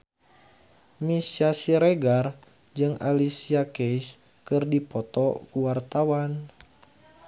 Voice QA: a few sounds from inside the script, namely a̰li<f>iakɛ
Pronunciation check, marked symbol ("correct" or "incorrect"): incorrect